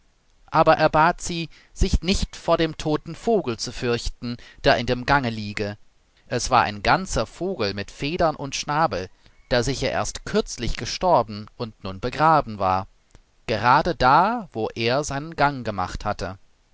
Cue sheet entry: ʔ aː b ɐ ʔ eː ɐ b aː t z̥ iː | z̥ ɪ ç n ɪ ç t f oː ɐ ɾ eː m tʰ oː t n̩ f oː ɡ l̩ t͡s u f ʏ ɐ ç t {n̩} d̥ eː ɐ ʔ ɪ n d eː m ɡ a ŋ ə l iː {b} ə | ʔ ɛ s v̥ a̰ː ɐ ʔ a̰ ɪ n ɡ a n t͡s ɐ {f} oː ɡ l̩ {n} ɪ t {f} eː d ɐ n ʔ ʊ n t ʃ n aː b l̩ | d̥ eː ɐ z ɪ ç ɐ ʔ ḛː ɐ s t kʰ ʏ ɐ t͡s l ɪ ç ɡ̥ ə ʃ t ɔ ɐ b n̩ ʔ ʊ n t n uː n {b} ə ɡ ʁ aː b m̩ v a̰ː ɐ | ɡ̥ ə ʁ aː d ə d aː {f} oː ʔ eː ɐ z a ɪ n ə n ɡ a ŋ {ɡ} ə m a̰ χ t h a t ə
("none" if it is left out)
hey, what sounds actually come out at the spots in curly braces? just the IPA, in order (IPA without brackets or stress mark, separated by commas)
n̩, ɡ, f, m, f, b, v, ɡ